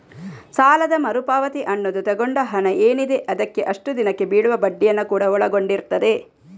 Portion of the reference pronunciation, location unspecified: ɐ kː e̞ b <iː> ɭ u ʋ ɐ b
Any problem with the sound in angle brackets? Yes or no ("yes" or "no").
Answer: no